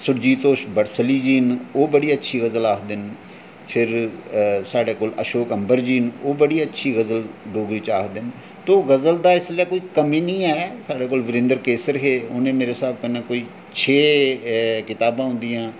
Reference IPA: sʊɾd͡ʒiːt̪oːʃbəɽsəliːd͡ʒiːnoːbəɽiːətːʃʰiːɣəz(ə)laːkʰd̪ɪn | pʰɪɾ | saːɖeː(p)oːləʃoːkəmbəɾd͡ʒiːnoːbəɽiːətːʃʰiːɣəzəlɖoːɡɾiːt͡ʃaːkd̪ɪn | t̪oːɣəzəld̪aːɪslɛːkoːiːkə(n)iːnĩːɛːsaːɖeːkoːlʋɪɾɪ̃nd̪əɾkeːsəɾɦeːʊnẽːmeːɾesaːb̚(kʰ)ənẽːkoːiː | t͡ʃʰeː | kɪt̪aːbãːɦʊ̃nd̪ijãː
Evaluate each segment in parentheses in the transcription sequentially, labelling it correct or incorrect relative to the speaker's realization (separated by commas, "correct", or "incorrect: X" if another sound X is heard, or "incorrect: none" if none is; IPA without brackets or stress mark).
correct, incorrect: k, incorrect: m, incorrect: k